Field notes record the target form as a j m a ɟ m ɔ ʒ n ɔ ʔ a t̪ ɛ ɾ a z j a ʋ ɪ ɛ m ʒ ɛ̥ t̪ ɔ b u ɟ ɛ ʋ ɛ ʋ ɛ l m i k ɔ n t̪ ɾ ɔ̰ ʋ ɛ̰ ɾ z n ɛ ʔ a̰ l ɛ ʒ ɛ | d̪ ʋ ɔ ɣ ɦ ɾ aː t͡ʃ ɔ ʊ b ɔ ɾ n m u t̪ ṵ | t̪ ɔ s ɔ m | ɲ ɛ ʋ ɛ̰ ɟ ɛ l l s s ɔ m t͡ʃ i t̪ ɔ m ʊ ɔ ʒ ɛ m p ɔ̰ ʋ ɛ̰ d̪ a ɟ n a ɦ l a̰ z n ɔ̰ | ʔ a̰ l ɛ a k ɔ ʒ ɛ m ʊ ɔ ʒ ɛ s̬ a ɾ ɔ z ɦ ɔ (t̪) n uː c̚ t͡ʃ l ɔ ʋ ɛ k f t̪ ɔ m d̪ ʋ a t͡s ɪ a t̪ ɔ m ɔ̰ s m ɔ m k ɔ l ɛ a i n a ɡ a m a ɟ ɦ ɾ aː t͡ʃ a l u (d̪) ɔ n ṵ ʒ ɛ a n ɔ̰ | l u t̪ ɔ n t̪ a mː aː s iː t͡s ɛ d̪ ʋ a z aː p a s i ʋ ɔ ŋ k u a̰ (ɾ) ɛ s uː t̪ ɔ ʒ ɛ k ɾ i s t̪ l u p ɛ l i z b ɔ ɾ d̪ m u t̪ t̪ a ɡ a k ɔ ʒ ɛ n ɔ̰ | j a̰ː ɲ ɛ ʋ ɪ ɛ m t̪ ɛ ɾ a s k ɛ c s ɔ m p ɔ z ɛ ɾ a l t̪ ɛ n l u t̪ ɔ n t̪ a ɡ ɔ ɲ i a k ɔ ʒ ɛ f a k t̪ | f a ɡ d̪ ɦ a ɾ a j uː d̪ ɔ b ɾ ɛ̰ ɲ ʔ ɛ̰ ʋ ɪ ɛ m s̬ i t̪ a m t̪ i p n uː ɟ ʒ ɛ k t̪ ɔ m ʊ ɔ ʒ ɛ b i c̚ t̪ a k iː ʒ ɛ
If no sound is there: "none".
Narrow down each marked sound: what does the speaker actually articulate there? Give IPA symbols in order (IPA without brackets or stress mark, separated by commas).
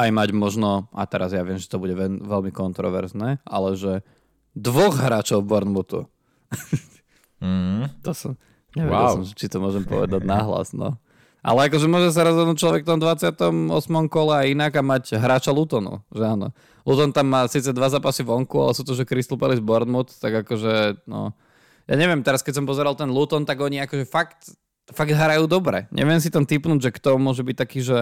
d̪, t̪, l